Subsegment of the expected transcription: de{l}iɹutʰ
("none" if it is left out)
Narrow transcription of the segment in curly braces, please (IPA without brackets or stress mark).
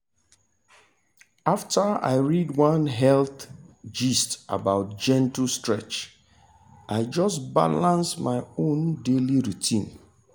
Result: l